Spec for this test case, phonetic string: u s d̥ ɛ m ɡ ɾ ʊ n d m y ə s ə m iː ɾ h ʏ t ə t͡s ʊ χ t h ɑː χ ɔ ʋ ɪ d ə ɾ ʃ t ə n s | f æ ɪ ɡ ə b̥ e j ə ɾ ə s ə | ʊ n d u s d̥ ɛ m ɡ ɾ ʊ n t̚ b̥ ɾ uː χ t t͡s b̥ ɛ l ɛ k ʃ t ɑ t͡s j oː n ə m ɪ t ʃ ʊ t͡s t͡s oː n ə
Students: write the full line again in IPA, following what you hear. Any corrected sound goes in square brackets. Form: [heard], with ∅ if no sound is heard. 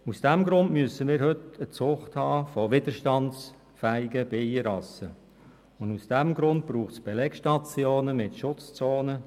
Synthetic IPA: u s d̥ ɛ m ɡ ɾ ʊ n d m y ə s ə m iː ɾ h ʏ t ə t͡s ʊ χ t h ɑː [f] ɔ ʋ ɪ d ə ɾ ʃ t [ɑ] n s | f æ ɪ ɡ ə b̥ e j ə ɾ [ɑ] s ə | ʊ n d u s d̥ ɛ m ɡ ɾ ʊ n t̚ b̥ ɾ uː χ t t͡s b̥ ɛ l ɛ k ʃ t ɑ t͡s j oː n ə m ɪ t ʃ ʊ t͡s t͡s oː n ə